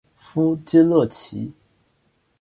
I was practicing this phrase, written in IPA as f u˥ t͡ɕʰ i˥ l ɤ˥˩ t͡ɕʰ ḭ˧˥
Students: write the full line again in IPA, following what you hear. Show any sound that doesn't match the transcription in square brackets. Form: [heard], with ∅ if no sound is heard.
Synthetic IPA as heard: f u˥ [t͡ɕ] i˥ l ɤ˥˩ t͡ɕʰ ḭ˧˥